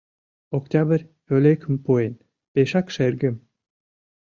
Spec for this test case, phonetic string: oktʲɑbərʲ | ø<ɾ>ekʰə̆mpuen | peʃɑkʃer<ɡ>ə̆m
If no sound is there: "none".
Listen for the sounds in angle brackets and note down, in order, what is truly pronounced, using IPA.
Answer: l, ɡ

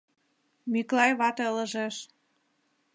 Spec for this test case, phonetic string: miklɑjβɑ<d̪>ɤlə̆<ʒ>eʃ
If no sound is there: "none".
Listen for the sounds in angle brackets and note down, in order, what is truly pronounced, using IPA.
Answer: t̪, ʒ

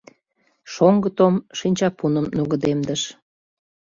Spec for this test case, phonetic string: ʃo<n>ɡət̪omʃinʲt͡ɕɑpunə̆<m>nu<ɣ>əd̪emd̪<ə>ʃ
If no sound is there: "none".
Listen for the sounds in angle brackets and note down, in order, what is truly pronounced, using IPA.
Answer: ŋ, m, ɣ, ə

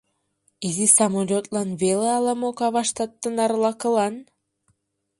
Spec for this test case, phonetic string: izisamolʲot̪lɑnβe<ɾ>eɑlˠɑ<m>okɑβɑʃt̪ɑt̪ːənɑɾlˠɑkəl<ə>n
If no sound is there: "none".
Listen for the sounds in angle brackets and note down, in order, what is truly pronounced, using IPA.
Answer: l, m, ɑ

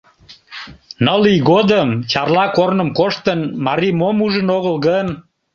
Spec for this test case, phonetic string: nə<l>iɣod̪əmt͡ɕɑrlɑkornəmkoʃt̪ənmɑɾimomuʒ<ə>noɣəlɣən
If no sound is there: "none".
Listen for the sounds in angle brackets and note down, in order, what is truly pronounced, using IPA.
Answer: l, ə

